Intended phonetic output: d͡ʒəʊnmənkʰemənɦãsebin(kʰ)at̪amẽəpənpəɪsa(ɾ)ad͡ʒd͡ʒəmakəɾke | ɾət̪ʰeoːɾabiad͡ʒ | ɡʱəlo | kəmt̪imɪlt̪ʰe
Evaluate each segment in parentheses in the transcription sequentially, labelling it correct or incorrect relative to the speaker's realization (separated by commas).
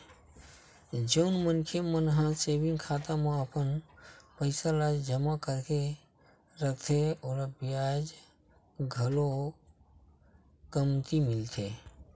correct, incorrect